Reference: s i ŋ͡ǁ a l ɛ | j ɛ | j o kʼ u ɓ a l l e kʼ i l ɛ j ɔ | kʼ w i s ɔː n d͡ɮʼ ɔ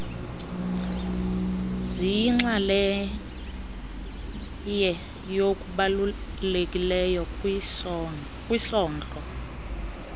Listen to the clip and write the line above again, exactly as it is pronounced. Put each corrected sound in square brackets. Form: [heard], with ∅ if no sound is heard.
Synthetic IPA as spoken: [z] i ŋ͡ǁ a l ɛ | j ɛ | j o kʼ u ɓ a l l e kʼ i l ɛ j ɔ | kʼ w i s ɔː n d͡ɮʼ ɔ